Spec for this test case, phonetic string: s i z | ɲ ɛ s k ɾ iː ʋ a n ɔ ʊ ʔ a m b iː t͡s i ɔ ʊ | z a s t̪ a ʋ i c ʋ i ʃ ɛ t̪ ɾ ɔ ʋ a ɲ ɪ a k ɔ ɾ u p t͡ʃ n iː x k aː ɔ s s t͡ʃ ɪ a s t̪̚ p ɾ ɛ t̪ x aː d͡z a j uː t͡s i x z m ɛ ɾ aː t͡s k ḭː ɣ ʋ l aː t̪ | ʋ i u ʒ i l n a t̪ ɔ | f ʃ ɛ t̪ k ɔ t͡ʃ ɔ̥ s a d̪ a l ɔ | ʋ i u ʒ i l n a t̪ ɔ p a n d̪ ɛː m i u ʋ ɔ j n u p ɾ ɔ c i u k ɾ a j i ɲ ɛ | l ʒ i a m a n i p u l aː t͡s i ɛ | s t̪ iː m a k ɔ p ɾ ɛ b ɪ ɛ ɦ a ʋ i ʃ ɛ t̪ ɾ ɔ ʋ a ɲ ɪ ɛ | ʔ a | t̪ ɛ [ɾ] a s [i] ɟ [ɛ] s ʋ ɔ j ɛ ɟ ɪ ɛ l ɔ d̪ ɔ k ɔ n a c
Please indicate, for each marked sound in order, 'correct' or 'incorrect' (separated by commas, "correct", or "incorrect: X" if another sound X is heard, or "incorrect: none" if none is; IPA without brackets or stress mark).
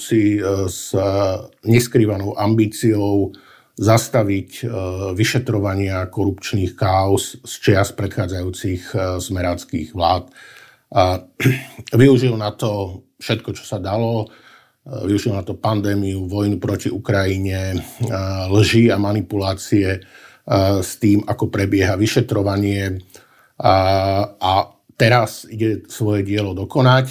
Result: correct, correct, correct